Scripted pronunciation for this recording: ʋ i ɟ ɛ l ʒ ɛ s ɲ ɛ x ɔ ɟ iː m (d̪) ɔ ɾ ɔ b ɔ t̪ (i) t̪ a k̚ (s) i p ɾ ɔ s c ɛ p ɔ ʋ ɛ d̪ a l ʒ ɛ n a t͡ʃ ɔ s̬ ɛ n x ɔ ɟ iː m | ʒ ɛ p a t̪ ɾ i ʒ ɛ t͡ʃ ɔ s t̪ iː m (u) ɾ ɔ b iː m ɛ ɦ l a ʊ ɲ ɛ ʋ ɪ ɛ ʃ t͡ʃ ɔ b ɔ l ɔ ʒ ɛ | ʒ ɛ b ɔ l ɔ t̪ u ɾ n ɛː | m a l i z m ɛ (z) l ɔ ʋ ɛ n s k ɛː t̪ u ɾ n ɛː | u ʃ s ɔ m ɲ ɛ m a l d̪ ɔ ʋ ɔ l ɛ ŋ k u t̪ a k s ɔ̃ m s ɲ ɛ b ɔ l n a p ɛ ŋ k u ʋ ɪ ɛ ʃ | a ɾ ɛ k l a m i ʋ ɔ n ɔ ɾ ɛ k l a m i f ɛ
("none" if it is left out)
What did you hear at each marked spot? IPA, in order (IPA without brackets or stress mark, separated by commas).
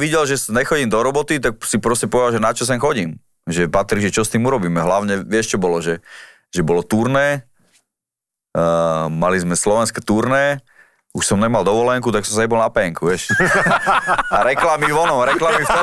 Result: d̪, i, s, u, s